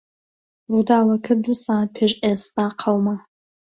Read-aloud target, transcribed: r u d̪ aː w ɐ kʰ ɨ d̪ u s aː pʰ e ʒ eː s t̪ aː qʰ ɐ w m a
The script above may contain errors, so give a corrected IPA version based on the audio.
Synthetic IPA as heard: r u d̪ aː w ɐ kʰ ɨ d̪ u s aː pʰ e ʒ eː s t̪ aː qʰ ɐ w m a

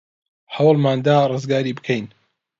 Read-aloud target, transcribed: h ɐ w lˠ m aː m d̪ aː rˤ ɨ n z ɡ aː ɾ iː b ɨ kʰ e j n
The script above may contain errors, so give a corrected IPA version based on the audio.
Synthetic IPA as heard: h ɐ w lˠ m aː n d̪ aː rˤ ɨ z ɡ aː ɾ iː b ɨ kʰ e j n

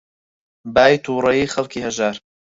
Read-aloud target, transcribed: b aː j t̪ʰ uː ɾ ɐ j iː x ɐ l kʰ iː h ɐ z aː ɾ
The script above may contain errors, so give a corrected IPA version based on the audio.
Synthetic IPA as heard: b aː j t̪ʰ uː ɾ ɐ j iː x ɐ l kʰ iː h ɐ ʒ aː ɾ

